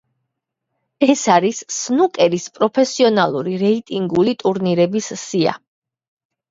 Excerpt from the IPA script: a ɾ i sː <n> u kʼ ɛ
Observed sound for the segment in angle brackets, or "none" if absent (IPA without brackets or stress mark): n